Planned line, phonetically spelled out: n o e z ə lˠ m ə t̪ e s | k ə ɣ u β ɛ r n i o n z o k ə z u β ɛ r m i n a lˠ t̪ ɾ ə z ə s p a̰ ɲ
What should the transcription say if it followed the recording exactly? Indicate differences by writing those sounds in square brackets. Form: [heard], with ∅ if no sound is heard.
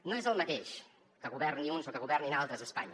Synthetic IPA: n o e z ə lˠ m ə t̪ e [ʃ] | k ə ɣ u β ɛ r n i [u] n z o k ə [ɣ] u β ɛ r [n] i n a lˠ t̪ ɾ ə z ə s p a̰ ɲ